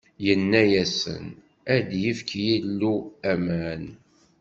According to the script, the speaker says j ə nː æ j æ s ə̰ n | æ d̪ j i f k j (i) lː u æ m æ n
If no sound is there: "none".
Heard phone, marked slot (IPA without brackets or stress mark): i